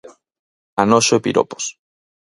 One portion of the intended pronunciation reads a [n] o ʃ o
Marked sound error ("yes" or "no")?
no